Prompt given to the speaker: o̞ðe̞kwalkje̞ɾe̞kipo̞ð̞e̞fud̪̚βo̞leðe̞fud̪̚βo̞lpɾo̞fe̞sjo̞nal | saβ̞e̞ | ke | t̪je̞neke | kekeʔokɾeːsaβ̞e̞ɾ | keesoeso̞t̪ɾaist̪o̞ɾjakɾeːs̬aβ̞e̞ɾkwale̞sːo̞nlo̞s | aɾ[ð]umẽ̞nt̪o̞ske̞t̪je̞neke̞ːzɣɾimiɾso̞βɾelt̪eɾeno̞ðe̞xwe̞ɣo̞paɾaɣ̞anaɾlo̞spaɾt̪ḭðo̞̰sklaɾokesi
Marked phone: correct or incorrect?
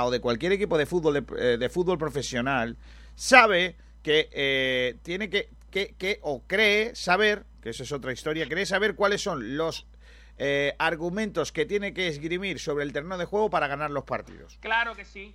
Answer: incorrect